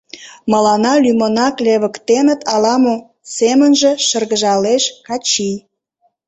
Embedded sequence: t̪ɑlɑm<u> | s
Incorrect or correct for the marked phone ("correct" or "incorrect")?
incorrect